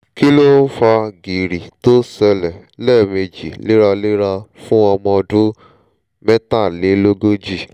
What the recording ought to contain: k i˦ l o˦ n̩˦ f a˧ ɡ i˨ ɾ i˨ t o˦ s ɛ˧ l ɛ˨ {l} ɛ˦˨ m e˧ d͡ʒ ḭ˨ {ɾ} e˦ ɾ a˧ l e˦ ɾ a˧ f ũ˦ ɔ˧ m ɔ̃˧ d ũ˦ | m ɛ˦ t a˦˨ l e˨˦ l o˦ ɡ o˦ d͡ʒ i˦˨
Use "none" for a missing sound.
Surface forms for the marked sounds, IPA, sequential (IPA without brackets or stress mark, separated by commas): l, l